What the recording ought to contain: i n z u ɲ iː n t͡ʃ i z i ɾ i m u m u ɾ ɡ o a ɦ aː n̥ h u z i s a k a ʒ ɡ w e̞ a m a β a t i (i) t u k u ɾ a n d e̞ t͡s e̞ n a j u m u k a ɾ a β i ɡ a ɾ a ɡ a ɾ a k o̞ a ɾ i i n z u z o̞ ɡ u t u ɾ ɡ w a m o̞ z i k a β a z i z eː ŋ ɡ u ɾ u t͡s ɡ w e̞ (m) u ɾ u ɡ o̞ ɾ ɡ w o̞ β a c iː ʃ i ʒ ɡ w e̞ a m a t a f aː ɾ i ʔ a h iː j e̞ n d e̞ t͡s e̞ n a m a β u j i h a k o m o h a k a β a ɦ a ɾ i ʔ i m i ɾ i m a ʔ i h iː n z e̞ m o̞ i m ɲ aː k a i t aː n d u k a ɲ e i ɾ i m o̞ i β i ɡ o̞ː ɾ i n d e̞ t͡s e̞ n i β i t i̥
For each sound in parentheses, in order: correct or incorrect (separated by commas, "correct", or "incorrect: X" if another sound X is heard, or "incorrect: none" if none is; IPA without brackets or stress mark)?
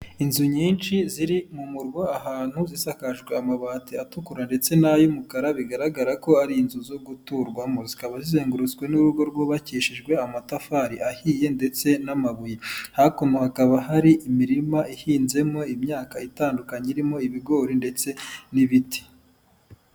incorrect: a, incorrect: n